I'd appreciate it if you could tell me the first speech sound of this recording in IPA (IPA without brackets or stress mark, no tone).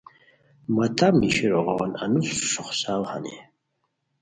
m